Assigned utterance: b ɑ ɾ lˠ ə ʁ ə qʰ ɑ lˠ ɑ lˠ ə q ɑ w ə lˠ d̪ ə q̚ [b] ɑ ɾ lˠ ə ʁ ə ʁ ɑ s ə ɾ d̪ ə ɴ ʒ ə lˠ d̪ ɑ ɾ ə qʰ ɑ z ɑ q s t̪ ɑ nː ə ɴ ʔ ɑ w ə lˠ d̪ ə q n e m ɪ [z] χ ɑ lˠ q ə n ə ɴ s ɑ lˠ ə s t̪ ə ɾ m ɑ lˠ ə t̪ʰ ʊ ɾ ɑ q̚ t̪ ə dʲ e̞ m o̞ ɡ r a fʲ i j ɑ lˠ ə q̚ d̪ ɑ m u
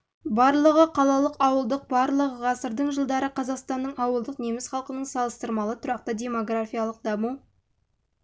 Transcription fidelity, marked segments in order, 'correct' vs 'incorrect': correct, incorrect

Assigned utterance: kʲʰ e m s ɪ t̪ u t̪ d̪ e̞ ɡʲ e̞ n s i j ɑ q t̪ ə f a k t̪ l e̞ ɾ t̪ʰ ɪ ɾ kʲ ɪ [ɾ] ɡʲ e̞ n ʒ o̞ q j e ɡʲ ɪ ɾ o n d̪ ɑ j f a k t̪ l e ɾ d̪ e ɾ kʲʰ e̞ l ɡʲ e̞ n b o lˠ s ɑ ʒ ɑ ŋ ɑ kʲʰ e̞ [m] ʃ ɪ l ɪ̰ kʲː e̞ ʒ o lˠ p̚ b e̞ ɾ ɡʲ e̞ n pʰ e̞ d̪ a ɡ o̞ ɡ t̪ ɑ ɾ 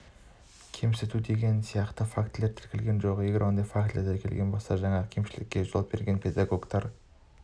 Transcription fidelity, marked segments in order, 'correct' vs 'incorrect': incorrect, correct

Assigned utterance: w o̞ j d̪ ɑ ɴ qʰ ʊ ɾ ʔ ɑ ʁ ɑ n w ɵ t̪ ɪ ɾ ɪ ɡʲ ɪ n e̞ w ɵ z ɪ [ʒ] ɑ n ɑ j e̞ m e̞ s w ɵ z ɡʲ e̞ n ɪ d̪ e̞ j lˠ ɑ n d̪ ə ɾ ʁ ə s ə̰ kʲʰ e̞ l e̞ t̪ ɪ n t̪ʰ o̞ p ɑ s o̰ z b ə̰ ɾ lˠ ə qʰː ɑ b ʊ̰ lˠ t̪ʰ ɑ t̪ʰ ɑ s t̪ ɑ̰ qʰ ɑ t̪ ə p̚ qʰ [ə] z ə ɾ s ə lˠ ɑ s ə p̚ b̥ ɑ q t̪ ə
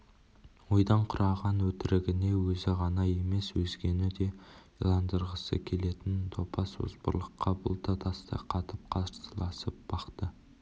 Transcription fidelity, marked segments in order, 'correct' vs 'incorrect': incorrect, incorrect

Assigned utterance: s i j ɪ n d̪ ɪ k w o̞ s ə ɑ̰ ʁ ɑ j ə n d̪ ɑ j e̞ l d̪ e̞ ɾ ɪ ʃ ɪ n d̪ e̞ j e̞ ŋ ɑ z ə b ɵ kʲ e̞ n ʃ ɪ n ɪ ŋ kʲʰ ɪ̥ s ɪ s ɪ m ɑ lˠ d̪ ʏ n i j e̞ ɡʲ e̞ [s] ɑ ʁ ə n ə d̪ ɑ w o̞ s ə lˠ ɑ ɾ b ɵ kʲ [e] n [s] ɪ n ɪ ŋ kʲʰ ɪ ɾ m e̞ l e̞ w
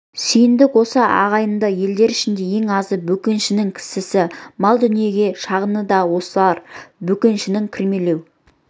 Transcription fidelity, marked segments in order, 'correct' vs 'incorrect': incorrect, correct, incorrect

